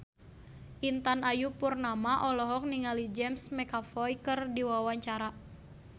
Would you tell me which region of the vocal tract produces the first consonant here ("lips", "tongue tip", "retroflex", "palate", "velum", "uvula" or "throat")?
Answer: throat